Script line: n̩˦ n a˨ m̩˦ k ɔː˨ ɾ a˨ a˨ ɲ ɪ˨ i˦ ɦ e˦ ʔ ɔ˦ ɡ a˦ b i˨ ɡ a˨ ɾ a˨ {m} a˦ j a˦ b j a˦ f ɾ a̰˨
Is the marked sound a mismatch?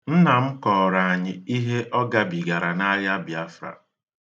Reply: yes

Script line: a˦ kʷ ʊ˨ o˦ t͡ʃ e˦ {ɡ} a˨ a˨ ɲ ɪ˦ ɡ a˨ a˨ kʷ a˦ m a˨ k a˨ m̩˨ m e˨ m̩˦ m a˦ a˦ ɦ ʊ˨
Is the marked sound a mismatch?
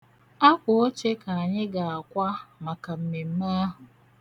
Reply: yes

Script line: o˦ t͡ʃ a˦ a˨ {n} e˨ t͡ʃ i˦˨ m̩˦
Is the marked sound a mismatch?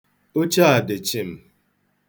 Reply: yes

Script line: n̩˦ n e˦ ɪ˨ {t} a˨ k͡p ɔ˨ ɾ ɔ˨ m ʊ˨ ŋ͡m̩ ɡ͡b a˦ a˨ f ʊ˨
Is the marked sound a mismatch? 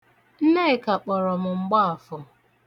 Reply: yes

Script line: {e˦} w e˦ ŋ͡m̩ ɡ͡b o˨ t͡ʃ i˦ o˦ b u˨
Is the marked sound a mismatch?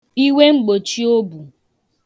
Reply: yes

